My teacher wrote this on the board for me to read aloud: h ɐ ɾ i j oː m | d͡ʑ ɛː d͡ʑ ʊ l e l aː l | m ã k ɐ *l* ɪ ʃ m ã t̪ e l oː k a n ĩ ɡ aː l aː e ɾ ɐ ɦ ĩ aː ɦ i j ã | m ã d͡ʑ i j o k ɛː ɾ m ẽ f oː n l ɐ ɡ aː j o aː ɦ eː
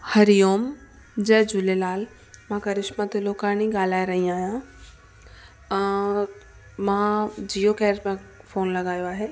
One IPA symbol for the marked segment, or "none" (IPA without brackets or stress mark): ɾ